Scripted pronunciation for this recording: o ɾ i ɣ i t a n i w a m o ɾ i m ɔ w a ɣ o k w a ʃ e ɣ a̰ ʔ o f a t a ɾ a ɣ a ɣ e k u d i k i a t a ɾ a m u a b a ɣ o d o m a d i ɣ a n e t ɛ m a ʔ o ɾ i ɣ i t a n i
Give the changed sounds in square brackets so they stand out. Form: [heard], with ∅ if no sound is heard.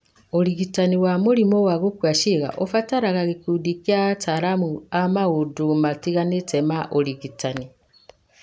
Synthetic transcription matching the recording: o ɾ i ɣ i t a n i w a m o ɾ i m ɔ w a ɣ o k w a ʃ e ɣ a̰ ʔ o f a t a ɾ a ɣ a ɣ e k u d i k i a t a ɾ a m u a [m] a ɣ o d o m a [t] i ɣ a n e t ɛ m a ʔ o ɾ i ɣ i t a n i